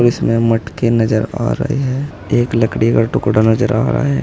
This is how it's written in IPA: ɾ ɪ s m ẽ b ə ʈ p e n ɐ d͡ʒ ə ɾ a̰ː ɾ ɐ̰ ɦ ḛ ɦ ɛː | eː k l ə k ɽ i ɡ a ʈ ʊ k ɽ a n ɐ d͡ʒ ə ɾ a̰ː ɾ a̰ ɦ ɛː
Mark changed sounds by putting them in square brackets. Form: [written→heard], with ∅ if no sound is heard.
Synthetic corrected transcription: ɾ ɪ s m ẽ [b→m] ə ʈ [p→k] e n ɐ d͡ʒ ə ɾ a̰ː ɾ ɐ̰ ɦ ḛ ɦ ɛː | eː k l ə k ɽ i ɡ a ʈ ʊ k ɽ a n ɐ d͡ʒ ə ɾ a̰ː ɾ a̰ ɦ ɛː